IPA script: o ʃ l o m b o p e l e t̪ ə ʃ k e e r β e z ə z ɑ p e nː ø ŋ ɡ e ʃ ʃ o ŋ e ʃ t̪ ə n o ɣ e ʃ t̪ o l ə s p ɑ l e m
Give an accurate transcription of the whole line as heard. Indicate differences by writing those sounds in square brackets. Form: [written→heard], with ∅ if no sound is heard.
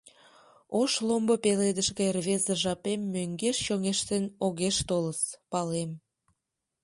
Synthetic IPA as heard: o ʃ l o m b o p e l e [t̪→d̪] ə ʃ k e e r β e z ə [z→ʒ] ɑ p e [nː→mː] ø ŋ ɡ e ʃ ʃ o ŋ e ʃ t̪ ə n o ɣ e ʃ t̪ o l ə s p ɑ l e m